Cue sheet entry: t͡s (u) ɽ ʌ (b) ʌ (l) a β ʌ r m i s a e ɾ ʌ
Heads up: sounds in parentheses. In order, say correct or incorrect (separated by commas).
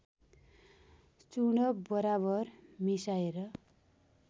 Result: correct, correct, incorrect